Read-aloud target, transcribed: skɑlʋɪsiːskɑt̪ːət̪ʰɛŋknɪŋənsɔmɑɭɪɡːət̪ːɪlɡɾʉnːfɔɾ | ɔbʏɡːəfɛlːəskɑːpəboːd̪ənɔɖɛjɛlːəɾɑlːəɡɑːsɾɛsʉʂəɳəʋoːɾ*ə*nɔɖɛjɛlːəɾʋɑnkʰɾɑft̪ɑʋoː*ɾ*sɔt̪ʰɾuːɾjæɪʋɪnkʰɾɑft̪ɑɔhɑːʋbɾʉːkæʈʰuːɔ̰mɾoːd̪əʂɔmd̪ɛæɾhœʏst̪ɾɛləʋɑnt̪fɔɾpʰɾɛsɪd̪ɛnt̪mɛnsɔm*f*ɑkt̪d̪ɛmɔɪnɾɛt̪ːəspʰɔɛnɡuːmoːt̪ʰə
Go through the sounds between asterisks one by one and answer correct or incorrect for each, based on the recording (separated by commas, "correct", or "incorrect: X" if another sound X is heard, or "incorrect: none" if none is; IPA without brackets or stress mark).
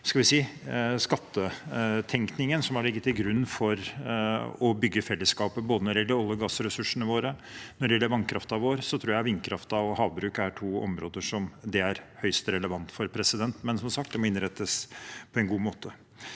correct, correct, incorrect: s